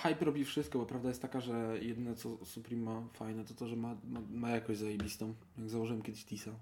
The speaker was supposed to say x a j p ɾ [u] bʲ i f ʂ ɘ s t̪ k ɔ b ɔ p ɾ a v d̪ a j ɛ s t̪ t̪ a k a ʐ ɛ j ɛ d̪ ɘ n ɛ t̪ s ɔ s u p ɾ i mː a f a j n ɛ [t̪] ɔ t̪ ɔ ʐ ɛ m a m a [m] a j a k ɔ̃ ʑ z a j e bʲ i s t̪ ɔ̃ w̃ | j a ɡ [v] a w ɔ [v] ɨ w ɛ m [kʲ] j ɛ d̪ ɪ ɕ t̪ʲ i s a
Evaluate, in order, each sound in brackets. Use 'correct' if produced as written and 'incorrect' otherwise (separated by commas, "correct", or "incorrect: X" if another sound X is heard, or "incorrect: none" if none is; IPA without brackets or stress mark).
incorrect: ɔ, correct, correct, incorrect: z, incorrect: ʐ, correct